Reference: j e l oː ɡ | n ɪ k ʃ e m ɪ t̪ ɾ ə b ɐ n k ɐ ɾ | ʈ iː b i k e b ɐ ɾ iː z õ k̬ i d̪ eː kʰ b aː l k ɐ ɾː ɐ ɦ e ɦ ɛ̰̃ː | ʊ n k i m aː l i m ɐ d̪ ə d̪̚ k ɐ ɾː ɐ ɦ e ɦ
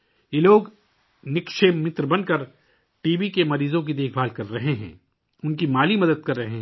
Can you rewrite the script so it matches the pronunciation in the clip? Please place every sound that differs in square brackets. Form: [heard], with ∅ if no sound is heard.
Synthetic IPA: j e l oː ɡ | n ɪ k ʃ e m ɪ t̪ ɾ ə b ɐ n k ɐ ɾ | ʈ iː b i k e [m] ɐ ɾ iː z õ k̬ i d̪ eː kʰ b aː l k ɐ ɾː ɐ ɦ e ɦ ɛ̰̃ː | ʊ n k i m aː l i m ɐ d̪ ə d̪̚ k ɐ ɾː ɐ ɦ e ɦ